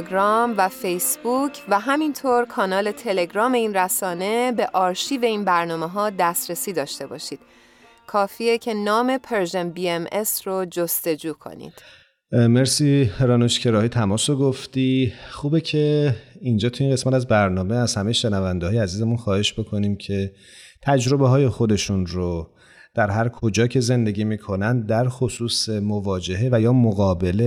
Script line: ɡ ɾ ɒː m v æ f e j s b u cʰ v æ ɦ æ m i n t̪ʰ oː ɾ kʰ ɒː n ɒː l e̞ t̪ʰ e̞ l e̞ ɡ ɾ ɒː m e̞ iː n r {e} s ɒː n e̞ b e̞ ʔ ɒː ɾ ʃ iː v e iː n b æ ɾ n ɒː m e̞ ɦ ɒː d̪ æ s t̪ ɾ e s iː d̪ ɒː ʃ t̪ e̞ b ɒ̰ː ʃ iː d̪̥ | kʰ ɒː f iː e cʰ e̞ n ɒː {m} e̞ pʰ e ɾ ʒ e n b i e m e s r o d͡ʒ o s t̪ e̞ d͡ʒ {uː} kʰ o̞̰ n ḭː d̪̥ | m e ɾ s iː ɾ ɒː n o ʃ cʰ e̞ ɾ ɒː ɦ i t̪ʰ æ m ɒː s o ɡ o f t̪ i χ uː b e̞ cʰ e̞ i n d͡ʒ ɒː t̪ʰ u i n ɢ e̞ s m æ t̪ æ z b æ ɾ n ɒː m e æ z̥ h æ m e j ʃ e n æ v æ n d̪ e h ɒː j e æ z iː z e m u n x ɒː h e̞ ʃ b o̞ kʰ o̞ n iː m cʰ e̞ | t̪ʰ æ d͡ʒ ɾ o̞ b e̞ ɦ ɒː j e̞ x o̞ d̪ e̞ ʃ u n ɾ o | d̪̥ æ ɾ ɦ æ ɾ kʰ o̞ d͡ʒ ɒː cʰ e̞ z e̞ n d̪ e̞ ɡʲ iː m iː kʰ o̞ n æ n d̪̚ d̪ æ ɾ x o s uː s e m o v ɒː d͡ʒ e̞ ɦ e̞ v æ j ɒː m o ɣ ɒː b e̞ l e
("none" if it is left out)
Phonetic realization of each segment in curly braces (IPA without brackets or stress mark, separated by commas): æ, m, uː